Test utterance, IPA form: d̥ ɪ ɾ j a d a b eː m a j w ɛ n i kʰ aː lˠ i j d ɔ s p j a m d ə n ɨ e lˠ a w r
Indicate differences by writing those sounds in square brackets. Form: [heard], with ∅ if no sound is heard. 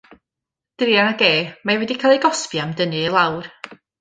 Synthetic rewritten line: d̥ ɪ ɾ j a [n] a [ɡ] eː m a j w ɛ [d] i kʰ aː lˠ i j [ɡ] ɔ s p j a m d ə n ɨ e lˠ a w r